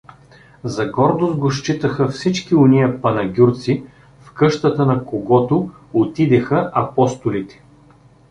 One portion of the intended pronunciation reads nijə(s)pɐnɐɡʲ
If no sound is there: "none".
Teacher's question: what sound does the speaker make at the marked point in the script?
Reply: none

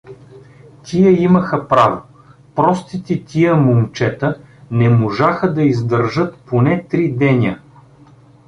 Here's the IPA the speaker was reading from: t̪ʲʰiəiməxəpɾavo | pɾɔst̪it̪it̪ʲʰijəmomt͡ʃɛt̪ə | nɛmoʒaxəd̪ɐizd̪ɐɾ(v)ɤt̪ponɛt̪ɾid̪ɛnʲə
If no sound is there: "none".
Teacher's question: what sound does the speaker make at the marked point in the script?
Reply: ʒ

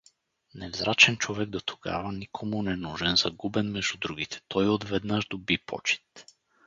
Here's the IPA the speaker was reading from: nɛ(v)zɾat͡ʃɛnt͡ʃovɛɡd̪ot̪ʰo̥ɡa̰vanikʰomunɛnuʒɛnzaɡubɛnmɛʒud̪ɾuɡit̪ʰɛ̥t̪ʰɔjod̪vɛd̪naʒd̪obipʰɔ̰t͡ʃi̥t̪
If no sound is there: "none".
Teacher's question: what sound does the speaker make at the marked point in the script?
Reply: v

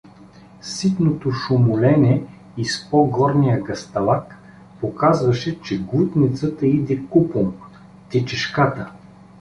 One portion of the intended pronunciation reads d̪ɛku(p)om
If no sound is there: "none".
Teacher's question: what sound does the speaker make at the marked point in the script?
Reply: p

